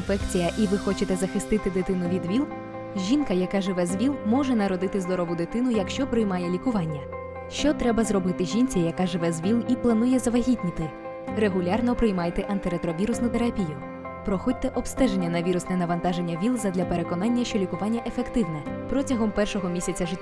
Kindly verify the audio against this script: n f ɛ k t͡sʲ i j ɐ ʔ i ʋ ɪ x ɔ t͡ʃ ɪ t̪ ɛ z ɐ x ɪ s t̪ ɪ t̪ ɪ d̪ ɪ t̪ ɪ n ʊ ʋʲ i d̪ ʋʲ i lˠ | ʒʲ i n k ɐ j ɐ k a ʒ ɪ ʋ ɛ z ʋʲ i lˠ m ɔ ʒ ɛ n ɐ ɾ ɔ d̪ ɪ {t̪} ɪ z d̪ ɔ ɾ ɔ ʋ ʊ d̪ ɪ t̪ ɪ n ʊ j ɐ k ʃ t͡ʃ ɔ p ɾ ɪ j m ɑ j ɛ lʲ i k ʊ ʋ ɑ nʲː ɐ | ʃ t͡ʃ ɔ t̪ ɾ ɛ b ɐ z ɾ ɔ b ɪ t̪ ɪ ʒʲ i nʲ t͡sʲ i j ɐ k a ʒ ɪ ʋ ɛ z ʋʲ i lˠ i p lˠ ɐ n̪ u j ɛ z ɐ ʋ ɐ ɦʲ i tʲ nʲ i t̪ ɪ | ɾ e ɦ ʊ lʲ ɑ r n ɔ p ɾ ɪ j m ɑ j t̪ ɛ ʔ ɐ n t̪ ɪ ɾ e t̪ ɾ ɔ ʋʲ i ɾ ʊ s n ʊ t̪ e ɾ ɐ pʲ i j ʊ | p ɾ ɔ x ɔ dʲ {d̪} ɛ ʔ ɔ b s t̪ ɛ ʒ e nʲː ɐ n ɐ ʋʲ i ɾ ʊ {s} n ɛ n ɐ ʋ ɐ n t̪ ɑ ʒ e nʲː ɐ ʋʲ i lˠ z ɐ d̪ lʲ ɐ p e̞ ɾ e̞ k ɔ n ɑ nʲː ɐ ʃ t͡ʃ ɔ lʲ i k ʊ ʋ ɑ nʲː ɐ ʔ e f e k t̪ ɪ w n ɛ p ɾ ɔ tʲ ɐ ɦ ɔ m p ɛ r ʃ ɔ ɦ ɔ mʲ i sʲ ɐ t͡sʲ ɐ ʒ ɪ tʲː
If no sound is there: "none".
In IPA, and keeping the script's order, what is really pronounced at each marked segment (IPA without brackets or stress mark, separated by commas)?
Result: t̪, t̪, s